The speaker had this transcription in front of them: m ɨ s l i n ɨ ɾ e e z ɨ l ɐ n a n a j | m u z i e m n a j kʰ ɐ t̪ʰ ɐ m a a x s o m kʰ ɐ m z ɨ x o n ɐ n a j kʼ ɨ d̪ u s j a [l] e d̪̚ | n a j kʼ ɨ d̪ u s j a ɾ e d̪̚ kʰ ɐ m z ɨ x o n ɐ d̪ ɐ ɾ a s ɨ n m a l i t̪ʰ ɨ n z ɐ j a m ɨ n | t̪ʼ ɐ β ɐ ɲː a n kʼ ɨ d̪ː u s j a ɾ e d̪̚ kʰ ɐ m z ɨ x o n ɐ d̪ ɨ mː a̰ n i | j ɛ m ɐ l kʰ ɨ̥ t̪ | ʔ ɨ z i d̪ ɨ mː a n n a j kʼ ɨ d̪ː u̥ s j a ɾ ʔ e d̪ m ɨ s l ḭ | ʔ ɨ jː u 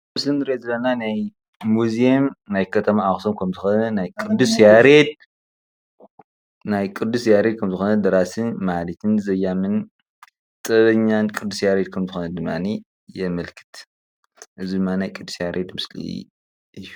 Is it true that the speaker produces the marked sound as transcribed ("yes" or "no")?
no